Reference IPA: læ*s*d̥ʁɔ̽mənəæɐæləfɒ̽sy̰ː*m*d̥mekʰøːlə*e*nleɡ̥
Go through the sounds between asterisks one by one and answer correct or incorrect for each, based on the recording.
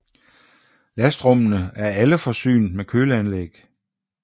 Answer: correct, incorrect: n, incorrect: æ

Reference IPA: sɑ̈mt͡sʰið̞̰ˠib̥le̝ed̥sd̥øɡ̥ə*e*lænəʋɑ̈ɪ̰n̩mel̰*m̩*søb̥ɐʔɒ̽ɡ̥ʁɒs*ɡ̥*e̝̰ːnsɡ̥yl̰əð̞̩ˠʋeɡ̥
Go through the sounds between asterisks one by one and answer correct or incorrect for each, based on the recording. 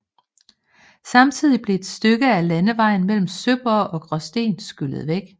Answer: incorrect: æ, correct, incorrect: d̥

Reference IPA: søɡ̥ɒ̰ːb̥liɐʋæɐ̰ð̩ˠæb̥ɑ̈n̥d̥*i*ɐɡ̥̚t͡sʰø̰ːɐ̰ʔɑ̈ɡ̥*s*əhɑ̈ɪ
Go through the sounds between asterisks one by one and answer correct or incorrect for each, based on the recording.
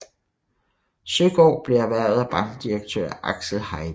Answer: correct, correct

